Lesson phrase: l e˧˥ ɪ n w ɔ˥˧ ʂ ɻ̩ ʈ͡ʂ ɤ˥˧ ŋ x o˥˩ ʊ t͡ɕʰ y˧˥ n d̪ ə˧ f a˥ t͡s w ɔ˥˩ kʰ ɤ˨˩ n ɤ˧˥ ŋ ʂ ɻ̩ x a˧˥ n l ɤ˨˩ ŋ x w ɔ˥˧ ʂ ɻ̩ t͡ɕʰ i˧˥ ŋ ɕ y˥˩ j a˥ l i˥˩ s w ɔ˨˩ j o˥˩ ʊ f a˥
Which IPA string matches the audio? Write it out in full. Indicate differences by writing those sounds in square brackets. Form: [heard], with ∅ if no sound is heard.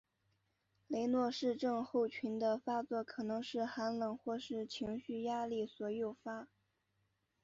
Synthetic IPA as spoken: l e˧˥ ɪ n w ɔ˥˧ ʂ ɻ̩ ʈ͡ʂ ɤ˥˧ ŋ x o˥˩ ʊ t͡ɕʰ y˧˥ n d̪ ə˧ f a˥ t͡s w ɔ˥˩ kʰ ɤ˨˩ n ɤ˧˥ ŋ ʂ ɻ̩ x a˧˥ n l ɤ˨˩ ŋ x w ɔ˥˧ ʂ ɻ̩ t͡ɕʰ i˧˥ ŋ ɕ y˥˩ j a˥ l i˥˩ s w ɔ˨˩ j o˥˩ ʊ f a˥